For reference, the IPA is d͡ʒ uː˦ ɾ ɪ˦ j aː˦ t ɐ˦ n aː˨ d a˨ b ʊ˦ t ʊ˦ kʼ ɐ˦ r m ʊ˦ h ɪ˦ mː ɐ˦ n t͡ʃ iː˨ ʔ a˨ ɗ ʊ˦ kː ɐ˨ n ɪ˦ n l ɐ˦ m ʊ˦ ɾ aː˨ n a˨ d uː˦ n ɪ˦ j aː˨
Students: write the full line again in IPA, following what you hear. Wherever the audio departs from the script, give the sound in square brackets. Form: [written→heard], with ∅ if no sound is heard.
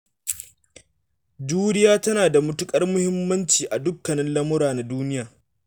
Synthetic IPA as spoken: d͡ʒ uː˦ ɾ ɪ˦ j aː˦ t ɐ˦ n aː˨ d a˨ [b→m] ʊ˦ t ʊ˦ kʼ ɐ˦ r m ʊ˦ h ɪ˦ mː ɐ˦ n t͡ʃ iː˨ ʔ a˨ [ɗ→d] ʊ˦ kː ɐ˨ n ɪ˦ n l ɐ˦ m ʊ˦ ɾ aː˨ n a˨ d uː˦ n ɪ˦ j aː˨